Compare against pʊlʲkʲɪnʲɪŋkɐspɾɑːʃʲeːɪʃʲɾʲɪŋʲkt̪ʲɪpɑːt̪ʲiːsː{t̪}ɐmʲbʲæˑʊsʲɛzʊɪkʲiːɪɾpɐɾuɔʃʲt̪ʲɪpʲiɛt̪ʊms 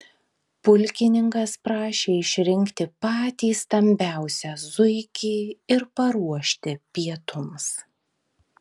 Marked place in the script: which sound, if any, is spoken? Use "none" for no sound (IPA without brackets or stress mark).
t̪